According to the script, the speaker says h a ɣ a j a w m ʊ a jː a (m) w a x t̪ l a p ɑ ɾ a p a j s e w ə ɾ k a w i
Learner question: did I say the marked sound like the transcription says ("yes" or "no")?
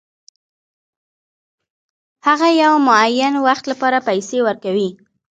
no